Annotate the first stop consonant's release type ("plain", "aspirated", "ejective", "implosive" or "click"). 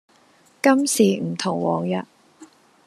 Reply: plain